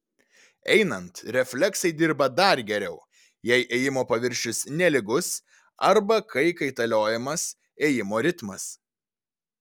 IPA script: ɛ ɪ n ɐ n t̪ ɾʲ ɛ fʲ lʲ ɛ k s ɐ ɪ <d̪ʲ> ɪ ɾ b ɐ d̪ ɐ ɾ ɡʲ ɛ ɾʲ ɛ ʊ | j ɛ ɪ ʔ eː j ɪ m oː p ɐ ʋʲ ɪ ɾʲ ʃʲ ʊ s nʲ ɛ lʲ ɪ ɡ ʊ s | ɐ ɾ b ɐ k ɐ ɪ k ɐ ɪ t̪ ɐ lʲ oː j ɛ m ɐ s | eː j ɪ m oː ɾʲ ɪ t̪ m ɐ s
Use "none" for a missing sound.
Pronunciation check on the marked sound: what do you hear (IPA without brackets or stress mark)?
d̪ʲ